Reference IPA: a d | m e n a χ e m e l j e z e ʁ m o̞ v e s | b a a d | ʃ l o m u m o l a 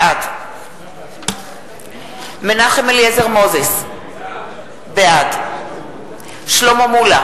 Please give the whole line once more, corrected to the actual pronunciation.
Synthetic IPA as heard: a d | m e n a χ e m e l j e z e ʁ m o̞ z e s | b e a d | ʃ l o m o m u l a